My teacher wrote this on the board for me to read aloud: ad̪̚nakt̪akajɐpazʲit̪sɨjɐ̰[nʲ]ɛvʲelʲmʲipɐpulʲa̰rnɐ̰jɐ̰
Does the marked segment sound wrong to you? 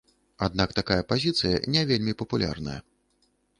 no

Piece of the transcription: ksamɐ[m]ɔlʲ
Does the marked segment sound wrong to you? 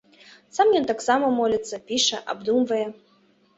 no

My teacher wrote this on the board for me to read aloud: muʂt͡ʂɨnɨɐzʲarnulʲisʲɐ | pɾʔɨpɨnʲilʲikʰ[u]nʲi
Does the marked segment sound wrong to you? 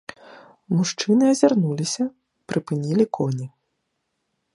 yes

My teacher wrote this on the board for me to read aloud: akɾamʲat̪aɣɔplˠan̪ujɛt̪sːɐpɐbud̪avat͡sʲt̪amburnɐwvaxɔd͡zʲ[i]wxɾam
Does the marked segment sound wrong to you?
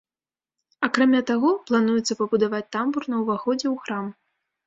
yes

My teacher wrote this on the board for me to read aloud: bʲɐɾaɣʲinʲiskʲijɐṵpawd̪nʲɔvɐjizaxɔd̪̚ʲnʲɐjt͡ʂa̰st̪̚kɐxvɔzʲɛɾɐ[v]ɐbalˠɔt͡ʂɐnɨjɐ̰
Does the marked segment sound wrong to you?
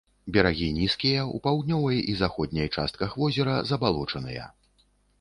yes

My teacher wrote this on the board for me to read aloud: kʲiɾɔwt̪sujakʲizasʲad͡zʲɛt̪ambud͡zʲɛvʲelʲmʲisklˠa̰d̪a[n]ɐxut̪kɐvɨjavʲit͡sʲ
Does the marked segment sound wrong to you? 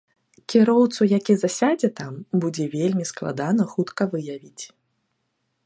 no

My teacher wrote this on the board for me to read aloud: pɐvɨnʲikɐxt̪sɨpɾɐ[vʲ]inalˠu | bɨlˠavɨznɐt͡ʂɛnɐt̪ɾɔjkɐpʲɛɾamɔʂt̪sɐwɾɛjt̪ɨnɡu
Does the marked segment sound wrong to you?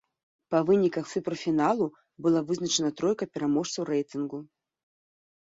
yes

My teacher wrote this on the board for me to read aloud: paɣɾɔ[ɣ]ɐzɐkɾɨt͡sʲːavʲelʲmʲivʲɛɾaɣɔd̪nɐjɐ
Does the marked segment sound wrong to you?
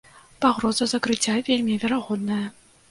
yes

